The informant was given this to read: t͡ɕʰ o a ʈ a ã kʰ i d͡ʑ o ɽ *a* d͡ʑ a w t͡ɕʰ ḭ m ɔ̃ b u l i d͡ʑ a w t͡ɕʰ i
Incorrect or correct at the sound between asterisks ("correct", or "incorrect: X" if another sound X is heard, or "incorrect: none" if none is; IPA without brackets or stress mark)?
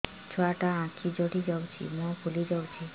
incorrect: i